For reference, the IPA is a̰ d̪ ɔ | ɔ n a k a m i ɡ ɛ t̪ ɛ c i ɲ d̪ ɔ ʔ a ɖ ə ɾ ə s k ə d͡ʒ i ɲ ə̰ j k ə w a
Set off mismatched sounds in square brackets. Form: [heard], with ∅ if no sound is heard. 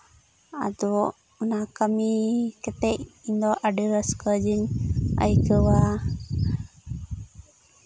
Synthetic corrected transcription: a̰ d̪ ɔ | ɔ n a k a m i [k] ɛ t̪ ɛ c i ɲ d̪ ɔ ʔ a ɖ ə ɾ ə s k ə d͡ʒ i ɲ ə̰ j k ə w a